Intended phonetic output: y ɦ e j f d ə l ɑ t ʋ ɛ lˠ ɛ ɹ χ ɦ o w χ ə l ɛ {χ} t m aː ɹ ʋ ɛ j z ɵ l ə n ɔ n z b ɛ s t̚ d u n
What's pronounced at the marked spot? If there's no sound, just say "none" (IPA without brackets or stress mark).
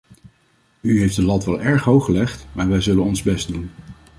χ